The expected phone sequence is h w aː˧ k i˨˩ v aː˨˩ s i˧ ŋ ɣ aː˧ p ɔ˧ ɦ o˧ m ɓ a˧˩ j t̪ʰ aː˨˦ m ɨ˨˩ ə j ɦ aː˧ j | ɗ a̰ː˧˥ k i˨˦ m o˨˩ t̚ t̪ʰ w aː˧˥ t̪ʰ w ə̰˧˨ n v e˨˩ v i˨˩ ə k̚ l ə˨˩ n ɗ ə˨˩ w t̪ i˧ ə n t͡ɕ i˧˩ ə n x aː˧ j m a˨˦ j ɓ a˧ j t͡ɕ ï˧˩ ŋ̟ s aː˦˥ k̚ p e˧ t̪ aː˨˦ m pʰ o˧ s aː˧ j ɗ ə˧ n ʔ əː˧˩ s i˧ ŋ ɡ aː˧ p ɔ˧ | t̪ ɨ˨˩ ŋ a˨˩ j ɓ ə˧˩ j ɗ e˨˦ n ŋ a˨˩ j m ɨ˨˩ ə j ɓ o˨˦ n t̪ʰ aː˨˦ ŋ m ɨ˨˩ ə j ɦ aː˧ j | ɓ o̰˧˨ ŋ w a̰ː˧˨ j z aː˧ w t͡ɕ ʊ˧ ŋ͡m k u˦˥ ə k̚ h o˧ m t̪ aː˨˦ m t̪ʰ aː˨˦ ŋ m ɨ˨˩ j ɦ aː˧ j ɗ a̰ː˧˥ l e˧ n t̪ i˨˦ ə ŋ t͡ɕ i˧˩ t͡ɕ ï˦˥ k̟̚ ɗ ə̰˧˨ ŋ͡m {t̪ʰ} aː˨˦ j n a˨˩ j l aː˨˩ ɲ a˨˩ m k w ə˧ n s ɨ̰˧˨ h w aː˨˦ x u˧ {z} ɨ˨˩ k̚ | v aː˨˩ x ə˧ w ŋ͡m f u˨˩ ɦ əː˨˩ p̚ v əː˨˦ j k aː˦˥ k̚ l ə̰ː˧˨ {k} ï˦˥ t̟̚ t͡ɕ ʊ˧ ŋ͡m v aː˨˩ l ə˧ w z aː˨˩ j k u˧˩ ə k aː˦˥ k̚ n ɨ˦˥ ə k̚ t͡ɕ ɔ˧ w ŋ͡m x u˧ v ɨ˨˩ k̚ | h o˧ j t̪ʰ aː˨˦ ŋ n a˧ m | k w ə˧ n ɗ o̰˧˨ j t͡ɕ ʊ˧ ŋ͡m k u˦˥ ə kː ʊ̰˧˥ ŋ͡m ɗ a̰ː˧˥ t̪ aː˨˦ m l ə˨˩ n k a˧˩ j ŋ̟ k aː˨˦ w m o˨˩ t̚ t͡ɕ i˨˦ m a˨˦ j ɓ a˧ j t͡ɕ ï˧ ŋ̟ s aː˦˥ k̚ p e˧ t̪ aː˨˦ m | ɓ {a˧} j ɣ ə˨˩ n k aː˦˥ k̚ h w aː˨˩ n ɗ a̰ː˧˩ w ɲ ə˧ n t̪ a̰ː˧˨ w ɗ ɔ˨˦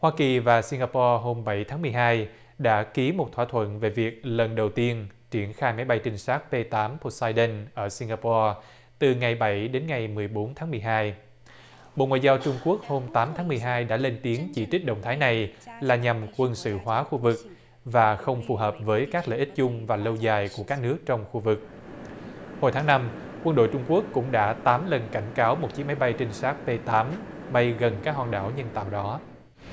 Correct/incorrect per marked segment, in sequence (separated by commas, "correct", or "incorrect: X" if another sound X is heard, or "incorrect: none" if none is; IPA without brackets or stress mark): correct, incorrect: v, incorrect: ʔ, correct